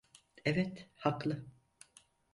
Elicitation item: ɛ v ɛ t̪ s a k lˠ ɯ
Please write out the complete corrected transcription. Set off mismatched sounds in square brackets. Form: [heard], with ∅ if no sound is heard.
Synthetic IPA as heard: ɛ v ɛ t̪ [h] a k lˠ ɯ